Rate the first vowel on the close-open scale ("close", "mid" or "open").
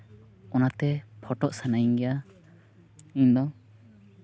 mid